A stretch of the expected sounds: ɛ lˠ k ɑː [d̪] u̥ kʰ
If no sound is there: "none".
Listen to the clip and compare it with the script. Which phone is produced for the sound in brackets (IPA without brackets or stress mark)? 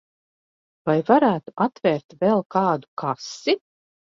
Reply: d̪